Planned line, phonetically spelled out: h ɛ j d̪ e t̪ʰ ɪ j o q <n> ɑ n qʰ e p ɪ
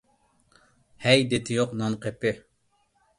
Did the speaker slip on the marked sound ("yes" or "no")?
no